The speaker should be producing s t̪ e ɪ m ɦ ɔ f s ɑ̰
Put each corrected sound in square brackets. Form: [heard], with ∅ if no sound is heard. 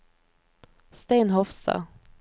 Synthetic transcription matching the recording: s t̪ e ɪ [n] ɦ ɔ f s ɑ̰

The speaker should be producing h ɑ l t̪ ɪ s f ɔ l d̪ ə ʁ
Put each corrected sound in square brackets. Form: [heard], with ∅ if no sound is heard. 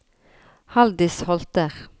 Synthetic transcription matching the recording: h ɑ l [d̪] ɪ s [h] ɔ l [t̪] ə ʁ

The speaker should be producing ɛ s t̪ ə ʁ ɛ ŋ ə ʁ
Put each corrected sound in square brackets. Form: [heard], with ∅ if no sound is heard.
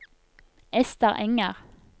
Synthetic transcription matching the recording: ɛ s t̪ ə ʁ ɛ ŋ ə ʁ

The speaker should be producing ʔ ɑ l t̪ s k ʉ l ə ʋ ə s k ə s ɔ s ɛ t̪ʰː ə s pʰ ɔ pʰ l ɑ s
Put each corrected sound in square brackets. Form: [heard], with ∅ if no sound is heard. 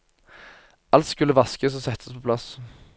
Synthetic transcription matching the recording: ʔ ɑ l t̪ s k ʉ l ə ʋ [ɑ] s k ə s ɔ s ɛ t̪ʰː ə s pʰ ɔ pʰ l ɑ s

